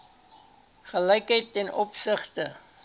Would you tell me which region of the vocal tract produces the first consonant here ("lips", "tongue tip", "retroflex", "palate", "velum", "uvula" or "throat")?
uvula